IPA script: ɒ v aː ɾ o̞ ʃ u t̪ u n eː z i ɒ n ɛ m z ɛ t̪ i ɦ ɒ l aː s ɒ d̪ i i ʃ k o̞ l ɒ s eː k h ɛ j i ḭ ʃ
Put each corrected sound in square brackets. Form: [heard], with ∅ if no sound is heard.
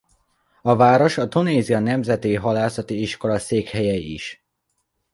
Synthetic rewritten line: ɒ v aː ɾ o̞ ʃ [ɒ] t̪ u n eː z i ɒ n ɛ m z ɛ t̪ i ɦ ɒ l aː s ɒ [t̪] i i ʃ k o̞ l ɒ s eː k h ɛ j [ɛ] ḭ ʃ